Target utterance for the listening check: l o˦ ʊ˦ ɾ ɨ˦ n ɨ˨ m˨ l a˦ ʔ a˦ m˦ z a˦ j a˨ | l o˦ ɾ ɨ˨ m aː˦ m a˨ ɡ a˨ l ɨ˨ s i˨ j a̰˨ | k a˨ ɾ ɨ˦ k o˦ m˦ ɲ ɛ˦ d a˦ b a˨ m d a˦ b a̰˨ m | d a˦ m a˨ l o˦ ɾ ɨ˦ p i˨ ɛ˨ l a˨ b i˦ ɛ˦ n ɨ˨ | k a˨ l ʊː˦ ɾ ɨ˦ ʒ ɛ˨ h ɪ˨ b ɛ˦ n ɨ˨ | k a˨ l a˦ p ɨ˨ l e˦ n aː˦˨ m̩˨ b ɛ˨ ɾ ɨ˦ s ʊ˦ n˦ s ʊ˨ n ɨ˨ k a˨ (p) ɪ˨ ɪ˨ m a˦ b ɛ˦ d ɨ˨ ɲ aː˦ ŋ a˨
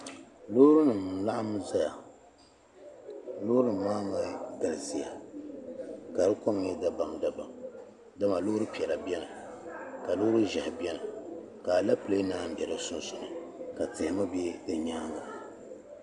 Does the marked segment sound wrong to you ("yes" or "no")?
yes